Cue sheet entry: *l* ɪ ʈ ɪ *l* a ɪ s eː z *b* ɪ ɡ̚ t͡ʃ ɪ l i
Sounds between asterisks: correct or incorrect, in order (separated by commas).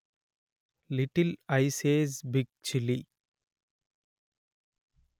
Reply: correct, correct, correct